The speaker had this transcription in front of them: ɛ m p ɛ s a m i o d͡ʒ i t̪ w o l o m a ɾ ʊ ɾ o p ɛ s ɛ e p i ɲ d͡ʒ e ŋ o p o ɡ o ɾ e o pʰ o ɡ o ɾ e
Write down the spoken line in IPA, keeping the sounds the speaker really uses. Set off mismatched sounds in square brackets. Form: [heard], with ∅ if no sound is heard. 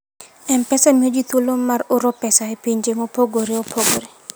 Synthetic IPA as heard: ɛ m p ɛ s a m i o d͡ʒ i t̪ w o l o m a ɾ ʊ ɾ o p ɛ s [a] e p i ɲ d͡ʒ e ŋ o p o ɡ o ɾ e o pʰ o ɡ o ɾ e